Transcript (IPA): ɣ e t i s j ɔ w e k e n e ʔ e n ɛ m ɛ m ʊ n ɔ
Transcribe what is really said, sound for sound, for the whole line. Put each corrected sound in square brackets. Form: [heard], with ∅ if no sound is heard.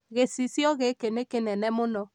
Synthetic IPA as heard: ɣ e [s] i s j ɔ [ɣ] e k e n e [k] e n ɛ [n] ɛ m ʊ n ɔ